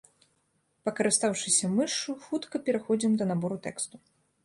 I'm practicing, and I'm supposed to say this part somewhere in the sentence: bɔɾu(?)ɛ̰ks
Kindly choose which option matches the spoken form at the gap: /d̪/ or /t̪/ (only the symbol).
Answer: t̪